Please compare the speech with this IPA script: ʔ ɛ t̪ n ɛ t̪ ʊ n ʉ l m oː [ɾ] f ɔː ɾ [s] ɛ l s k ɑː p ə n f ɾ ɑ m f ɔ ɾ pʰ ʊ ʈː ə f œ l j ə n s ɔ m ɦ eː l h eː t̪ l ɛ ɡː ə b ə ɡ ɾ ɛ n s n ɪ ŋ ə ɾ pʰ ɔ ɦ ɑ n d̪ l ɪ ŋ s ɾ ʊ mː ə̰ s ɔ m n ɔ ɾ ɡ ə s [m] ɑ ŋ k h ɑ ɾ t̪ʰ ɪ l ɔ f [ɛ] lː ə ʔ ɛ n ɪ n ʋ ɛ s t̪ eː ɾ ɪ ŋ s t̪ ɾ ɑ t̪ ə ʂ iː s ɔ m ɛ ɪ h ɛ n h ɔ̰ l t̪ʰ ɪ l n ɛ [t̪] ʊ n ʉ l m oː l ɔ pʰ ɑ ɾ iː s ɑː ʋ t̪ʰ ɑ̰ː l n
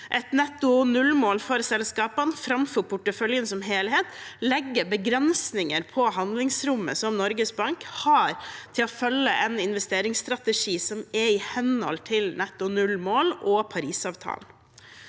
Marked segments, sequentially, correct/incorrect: incorrect: l, correct, incorrect: b, incorrect: œ, correct

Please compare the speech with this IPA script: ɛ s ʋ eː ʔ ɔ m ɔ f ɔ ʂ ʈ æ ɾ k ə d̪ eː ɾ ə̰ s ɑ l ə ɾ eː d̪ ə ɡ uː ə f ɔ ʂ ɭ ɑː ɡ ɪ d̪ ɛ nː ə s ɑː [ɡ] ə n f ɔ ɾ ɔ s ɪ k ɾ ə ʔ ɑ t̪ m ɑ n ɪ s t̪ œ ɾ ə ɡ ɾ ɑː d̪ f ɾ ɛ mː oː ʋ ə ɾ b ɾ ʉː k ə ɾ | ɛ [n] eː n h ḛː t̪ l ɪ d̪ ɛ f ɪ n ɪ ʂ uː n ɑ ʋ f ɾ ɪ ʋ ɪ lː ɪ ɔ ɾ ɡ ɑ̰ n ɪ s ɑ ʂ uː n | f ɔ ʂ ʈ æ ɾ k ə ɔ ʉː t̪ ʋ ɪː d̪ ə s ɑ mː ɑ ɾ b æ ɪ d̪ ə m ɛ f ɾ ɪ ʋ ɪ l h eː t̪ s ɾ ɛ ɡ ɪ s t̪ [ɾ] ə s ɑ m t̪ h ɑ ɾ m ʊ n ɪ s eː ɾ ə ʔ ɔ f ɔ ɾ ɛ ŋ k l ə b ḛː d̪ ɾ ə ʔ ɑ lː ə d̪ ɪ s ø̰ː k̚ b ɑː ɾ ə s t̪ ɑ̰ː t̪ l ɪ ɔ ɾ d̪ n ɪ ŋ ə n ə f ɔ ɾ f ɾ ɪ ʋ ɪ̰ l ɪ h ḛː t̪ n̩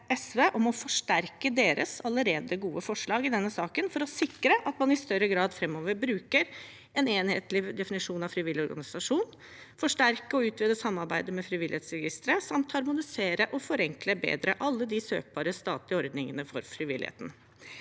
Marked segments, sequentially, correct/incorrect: incorrect: k, correct, correct

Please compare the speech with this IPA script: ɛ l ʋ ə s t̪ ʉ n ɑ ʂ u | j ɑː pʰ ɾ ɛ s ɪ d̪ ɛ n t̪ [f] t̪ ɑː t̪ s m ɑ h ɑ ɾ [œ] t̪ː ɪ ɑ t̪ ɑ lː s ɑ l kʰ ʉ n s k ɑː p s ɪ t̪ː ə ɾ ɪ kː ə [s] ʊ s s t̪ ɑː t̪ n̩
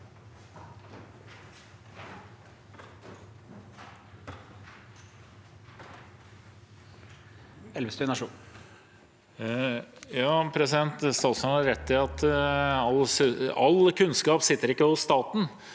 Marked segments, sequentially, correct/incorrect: incorrect: s, incorrect: ɛ, incorrect: h

